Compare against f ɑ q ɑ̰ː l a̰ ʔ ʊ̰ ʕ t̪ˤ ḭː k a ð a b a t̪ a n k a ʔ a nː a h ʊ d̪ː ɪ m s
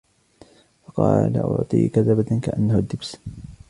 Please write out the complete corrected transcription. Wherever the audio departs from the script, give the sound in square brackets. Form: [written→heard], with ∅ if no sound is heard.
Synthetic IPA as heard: f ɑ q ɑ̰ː l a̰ ʔ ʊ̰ ʕ t̪ˤ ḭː k a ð a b a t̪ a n k a ʔ a nː a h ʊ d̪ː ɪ [m→b] s